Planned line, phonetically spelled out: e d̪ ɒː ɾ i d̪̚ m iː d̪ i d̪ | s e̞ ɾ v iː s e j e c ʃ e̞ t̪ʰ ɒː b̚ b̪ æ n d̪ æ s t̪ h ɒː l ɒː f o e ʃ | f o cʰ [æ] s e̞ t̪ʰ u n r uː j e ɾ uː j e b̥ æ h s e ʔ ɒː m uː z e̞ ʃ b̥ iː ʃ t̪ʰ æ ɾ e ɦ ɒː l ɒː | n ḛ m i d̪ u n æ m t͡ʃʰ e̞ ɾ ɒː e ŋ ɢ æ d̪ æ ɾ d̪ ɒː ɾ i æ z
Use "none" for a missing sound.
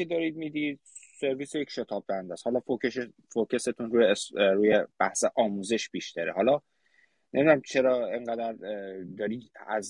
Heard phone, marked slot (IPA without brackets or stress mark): e